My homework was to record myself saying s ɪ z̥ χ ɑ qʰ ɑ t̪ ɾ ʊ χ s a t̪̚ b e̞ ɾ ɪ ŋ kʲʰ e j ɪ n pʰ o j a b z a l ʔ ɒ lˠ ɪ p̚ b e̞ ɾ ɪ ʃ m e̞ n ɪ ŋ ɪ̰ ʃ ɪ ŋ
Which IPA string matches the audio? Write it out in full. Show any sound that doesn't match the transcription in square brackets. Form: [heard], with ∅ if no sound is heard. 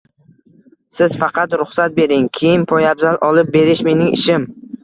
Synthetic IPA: s ɪ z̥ [f] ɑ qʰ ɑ t̪ ɾ ʊ χ s a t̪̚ b e̞ ɾ ɪ ŋ kʲʰ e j ɪ n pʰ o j a b z a l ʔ ɒ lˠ ɪ p̚ b e̞ ɾ ɪ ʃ m e̞ n ɪ ŋ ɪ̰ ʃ ɪ [m]